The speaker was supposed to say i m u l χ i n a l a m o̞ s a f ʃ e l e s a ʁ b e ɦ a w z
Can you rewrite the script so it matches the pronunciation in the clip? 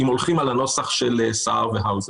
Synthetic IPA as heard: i m o l χ i m a l a n o̞ s a χ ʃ e l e s a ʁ v e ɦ a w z